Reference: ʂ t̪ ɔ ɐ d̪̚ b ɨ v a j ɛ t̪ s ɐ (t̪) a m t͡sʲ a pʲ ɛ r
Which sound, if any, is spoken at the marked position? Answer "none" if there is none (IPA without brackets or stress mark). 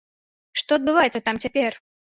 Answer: t̪